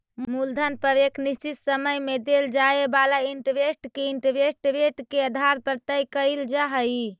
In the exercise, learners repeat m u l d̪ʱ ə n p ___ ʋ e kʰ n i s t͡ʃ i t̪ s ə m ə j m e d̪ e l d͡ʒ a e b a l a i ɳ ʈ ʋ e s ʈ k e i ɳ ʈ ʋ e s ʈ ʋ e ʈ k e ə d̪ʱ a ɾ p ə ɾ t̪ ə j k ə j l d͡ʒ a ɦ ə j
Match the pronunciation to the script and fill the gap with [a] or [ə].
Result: ə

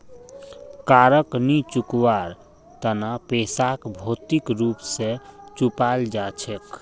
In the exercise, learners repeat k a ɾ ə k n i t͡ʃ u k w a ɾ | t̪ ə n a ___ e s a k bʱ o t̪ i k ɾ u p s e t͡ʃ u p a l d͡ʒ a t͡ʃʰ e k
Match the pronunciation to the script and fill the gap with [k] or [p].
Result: p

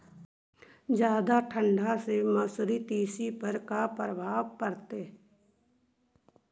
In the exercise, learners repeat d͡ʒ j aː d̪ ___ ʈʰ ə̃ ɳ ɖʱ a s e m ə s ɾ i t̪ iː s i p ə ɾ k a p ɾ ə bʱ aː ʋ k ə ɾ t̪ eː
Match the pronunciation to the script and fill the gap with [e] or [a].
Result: a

